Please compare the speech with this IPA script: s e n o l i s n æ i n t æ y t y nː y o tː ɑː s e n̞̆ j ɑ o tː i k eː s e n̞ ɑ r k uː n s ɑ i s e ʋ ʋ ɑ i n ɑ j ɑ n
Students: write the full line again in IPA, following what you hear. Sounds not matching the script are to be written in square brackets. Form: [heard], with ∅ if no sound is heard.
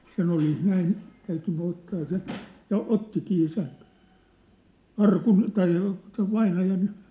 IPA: s e n o l i s n æ i n t æ y t y nː y o tː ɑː s e n̞̆ j ɑ o tː i k [iː] s e n̞ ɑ r k [u] n [t] ɑ i s e ʋ ʋ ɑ i n ɑ j ɑ n